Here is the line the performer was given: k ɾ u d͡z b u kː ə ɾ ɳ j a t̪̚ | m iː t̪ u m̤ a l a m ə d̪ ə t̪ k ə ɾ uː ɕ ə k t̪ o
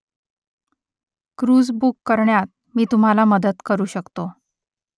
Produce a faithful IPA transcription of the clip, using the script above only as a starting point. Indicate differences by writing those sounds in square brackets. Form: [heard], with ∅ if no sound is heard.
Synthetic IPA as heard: k ɾ u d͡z b u kː ə ɾ ɳ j a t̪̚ | m iː t̪ u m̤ a l a m ə d̪ ə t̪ k ə ɾ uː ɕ ə k t̪ o